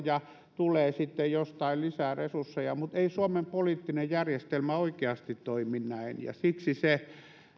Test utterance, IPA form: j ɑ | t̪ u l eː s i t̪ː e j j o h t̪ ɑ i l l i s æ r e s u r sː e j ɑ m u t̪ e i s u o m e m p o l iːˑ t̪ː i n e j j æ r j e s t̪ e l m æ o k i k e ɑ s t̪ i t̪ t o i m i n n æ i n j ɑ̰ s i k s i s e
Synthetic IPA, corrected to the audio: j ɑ | t̪ u l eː s i t̪ː e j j o s t̪ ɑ i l l i s æ r e s u r sː e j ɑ m u t̪ e i s u o m e m p o l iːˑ t̪ː i n e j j æ r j e s t̪ e l m æ o i k e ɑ s t̪ i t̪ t o i m i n n æ i n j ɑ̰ s i k s i s e